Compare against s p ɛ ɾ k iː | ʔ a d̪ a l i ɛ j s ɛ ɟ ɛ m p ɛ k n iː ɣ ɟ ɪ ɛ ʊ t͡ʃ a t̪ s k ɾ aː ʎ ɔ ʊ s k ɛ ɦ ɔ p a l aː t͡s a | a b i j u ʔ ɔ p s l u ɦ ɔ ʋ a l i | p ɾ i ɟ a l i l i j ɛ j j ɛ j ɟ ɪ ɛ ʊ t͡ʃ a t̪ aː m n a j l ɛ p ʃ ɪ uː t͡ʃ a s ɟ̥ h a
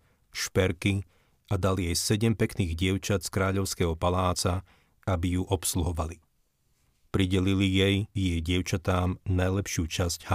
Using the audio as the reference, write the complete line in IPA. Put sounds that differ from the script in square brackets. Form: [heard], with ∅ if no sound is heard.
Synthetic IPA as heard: [ʃ] p ɛ ɾ k [i] | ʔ a d̪ a l i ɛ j s ɛ ɟ ɛ m p ɛ k n iː ɣ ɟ ɪ ɛ ʊ t͡ʃ a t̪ s k ɾ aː ʎ ɔ ʊ s k ɛ ɦ ɔ p a l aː t͡s a | a b i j u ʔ ɔ p s l u ɦ ɔ ʋ a l i | p ɾ i ɟ [ɛ] l i l i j ɛ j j ɛ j ɟ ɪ ɛ ʊ t͡ʃ a t̪ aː m n a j l ɛ p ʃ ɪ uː t͡ʃ a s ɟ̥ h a